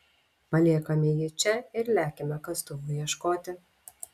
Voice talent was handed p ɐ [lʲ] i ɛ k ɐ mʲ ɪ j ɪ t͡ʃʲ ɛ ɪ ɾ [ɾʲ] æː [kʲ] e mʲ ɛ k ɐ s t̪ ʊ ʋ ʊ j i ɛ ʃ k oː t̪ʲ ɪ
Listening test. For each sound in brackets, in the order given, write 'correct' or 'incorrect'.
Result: correct, incorrect, correct

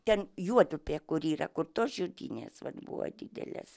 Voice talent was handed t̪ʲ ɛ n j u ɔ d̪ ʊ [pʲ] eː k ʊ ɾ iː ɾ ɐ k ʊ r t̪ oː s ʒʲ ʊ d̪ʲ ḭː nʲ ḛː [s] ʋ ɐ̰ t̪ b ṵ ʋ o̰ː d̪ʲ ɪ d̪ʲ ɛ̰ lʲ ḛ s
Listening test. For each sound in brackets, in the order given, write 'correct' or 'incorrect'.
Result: correct, correct

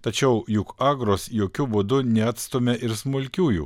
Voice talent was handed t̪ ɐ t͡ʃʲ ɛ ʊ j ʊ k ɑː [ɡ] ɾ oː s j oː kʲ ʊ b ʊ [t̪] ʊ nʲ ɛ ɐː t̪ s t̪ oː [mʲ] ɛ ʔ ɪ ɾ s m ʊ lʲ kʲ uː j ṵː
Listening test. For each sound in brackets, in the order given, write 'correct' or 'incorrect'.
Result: correct, incorrect, correct

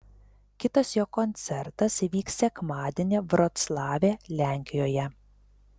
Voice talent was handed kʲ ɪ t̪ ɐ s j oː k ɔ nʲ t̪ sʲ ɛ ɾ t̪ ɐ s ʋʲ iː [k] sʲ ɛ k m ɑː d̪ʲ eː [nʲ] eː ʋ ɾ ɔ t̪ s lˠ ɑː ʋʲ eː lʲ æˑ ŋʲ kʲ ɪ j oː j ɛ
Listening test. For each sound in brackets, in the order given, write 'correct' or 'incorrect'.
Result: correct, correct

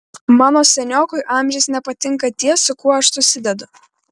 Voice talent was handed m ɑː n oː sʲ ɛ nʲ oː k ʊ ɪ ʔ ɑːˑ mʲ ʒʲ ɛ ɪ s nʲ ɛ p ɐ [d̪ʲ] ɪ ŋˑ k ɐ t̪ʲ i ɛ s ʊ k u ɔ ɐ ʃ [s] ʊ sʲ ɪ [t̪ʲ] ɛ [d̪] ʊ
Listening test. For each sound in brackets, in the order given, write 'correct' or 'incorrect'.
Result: incorrect, correct, incorrect, correct

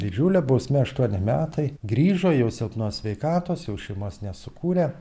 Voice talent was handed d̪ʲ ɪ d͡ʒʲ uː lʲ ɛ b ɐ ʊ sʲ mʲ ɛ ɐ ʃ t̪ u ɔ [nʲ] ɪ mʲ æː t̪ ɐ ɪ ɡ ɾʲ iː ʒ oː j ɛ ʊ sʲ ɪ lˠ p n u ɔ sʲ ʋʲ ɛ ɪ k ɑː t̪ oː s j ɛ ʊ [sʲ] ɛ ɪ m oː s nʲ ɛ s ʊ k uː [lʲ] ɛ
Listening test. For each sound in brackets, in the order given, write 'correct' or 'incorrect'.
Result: correct, incorrect, incorrect

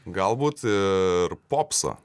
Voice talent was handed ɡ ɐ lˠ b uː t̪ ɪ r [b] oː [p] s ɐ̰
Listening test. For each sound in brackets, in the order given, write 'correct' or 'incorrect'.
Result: incorrect, correct

